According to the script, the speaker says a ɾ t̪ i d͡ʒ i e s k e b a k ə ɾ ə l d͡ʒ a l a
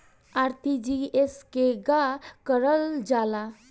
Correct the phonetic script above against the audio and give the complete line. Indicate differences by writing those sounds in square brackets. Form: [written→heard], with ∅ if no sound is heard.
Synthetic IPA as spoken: a ɾ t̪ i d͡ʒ i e s k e [b→ɡ] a k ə ɾ ə l d͡ʒ a l a